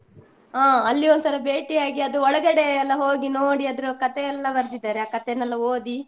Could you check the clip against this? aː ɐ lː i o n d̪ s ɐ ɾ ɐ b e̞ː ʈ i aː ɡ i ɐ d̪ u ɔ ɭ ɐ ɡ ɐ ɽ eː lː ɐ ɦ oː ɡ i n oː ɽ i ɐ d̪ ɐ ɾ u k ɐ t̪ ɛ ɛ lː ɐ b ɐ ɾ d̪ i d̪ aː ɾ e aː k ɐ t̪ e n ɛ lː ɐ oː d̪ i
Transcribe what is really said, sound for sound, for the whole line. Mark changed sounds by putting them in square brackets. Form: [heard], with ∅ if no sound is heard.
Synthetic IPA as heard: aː ɐ lː i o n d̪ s ɐ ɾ ɐ b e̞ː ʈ i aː ɡ i ɐ d̪ u ɔ ɭ ɐ ɡ ɐ ɽ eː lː ɐ ɦ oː ɡ i n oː ɽ i ɐ d̪ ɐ ɾ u k ɐ t̪ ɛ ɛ lː ɐ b ɐ ɾ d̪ i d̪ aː ɾ e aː k ɐ t̪ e n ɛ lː ɐ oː d̪ i